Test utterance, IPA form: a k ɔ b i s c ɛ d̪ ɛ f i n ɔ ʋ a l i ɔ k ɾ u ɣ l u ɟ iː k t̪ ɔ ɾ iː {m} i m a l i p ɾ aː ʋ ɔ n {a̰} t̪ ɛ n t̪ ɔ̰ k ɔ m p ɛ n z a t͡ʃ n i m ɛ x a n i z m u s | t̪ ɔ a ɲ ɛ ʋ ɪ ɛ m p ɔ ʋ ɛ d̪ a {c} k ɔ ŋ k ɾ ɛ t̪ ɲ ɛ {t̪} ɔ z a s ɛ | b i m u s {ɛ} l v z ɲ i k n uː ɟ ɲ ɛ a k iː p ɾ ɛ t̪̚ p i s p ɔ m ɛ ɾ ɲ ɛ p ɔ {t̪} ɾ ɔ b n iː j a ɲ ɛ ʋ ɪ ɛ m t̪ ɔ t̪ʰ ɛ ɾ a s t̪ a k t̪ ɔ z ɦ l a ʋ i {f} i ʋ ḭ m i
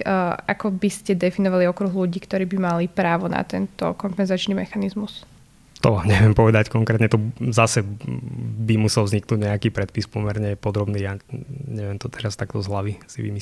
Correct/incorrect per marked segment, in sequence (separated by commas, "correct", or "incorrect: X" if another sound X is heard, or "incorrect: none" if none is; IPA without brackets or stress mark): incorrect: b, correct, correct, correct, correct, incorrect: d̪, incorrect: s